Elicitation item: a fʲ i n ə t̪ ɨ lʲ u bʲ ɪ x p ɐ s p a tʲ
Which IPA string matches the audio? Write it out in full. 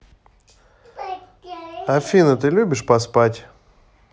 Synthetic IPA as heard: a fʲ i n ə t̪ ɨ lʲ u bʲ ɪ ʂ p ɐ s p a tʲ